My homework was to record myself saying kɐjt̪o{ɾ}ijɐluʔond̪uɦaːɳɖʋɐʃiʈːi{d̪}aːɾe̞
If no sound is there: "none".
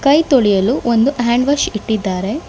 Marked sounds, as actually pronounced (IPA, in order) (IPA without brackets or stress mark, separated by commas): ɭ, d̪ː